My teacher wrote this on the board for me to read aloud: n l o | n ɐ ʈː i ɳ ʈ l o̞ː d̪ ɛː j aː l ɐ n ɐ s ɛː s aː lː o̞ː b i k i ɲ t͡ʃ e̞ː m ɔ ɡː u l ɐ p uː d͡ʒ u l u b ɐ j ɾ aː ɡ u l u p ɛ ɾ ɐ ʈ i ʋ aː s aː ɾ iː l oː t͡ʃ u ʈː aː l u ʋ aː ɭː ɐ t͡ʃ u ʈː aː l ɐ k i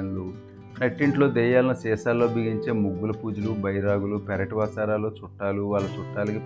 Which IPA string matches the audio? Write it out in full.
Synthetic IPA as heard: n l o | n ɐ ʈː i ɳ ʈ l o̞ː d̪ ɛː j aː l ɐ n ɐ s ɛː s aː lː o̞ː b i ɡ i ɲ t͡ʃ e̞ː m u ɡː u l ɐ p uː d͡ʒ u l u b ɐ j ɾ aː ɡ u l u p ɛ ɾ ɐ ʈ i ʋ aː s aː ɾ aː l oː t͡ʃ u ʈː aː l u ʋ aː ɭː ɐ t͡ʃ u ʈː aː l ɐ k i